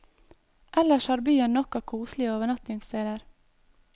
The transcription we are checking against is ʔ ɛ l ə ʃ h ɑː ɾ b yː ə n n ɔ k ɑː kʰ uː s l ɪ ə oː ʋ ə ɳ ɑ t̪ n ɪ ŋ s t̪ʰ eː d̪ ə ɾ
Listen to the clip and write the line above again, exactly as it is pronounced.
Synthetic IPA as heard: ʔ ɛ l ə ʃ h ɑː ɾ b yː ə n n ɔ k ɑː kʰ uː s l ɪ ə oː ʋ ə ɳ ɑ t̪ n ɪ ŋ s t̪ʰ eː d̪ ə ɾ